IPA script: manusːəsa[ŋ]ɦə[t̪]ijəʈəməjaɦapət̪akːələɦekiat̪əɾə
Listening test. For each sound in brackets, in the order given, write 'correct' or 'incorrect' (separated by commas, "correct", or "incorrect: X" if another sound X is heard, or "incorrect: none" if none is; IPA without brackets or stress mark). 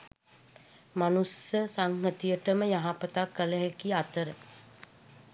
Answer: correct, correct